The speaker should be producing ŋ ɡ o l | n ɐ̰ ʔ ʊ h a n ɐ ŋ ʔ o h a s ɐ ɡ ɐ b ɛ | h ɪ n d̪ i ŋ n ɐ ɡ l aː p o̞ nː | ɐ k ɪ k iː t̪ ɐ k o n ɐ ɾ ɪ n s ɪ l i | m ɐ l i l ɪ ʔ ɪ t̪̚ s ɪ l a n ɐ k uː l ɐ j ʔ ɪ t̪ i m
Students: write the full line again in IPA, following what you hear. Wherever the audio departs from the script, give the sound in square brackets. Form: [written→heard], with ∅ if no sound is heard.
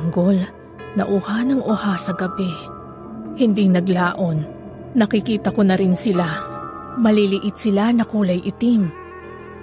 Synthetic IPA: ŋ ɡ o l | n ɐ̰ ʔ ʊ h a n ɐ ŋ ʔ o h a s ɐ ɡ ɐ b ɛ | h ɪ n d̪ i ŋ n ɐ ɡ l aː [p→ʔ] o̞ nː | ɐ k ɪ k iː t̪ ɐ k o n ɐ ɾ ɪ n s ɪ l [i→a] | m ɐ l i l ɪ ʔ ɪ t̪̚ s ɪ l a n ɐ k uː l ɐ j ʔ ɪ t̪ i m